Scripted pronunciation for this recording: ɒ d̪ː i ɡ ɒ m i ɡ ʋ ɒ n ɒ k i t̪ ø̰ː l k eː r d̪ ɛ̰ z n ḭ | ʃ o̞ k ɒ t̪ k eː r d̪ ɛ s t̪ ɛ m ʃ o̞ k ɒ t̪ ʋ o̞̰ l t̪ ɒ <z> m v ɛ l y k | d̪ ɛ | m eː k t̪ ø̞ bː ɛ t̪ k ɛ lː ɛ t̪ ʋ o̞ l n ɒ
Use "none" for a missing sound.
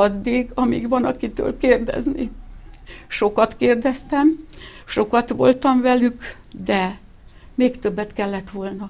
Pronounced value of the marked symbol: none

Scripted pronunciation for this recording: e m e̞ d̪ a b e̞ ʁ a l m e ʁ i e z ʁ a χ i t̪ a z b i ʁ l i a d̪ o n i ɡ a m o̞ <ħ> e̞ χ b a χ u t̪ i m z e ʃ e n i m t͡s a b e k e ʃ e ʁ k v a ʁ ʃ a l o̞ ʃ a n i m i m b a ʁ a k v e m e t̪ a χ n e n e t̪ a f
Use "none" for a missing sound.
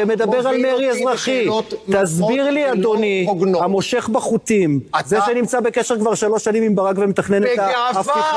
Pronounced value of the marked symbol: ʃ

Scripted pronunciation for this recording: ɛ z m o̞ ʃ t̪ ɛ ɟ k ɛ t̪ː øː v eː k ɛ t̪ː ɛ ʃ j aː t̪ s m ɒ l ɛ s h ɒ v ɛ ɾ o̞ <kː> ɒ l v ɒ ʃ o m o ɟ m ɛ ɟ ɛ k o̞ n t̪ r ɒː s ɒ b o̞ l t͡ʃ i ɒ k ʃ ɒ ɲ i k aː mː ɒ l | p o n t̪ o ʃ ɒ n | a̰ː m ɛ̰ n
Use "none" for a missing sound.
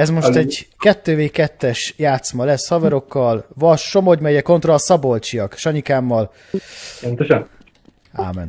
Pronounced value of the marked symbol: kː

